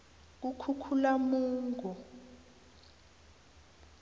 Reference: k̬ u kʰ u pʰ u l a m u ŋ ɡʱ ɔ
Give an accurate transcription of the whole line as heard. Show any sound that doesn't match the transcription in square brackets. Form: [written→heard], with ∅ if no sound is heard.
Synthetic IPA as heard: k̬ u kʰ u [pʰ→kʰ] u l a m [u→uː] ŋ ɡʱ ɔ